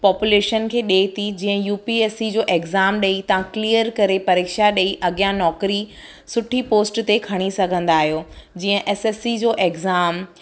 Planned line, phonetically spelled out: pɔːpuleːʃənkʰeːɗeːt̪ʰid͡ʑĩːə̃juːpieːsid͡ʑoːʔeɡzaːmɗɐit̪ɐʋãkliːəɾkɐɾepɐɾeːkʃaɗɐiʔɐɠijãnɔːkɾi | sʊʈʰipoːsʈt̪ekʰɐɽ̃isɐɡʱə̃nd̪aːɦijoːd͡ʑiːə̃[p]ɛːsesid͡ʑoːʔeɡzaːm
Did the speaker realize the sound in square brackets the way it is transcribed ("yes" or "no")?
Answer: no